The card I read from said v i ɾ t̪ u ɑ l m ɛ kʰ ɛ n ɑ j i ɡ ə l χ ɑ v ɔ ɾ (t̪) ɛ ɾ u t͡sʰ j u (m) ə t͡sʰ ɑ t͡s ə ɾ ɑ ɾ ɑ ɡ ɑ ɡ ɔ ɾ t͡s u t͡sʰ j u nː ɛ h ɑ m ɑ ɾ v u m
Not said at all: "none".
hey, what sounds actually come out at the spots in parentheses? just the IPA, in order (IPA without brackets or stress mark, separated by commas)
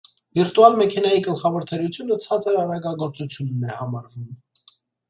t̪ʰ, n